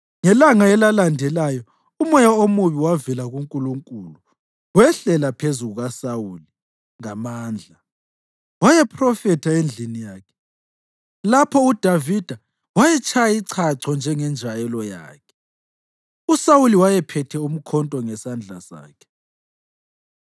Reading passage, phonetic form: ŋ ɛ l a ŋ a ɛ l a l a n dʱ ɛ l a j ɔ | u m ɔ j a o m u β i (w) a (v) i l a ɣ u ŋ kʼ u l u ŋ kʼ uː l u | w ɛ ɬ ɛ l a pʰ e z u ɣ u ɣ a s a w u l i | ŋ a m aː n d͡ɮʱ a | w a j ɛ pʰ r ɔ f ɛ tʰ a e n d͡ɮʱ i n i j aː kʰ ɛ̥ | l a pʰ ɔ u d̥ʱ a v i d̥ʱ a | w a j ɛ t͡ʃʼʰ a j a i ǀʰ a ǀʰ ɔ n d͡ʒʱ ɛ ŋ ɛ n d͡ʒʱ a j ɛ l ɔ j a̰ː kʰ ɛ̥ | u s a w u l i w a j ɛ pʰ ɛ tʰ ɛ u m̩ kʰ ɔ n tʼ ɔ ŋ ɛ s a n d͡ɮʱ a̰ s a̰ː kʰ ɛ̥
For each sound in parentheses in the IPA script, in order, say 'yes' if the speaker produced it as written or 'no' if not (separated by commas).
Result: yes, yes